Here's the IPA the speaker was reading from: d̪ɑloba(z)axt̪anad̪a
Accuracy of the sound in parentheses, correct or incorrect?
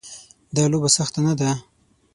incorrect